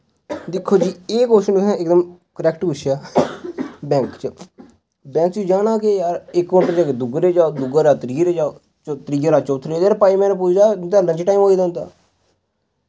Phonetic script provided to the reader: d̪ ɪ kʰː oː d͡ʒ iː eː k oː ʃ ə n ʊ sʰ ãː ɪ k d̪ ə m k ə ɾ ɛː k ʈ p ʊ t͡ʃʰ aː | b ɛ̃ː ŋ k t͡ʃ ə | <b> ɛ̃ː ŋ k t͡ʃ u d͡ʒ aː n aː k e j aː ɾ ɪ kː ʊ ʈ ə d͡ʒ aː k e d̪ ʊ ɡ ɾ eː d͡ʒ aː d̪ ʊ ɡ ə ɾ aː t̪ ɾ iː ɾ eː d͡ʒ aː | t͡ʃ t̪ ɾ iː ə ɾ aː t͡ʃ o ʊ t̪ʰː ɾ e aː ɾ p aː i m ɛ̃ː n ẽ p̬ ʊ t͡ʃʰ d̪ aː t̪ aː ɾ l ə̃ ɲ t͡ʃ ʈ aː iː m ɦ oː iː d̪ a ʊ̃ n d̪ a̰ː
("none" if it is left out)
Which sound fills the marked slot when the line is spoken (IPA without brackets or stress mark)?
b